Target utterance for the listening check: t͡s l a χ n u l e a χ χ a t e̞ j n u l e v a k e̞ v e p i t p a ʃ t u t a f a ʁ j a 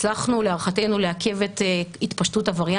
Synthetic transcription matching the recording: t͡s l a χ n u l e a ʁ χ a t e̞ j n u l e a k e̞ v e t i t p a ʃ t u t a v a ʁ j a